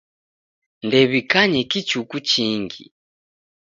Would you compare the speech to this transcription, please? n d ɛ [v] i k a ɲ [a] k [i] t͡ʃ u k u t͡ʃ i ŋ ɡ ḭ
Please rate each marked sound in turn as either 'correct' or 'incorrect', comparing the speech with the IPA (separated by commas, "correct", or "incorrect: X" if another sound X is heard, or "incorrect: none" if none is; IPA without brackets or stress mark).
incorrect: β, incorrect: ɛ, correct